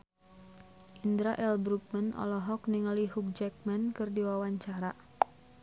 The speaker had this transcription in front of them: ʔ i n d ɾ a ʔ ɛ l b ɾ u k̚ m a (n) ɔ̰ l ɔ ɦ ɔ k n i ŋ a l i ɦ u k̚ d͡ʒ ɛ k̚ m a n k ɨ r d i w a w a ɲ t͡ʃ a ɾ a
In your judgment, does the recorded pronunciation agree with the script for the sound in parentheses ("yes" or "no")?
yes